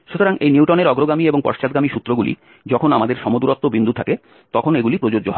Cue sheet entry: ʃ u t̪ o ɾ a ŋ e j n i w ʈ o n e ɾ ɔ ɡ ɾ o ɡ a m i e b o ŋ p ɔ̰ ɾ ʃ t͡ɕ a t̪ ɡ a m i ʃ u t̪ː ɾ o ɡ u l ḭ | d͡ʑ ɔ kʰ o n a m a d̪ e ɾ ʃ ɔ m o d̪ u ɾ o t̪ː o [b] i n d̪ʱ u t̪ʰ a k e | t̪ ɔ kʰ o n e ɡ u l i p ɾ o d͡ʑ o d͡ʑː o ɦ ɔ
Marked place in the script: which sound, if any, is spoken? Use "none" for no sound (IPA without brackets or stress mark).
b